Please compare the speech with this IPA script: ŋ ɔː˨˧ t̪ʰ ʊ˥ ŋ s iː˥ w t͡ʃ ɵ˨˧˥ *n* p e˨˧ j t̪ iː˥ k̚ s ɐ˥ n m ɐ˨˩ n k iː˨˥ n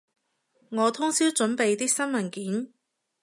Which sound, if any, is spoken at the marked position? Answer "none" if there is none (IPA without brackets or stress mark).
n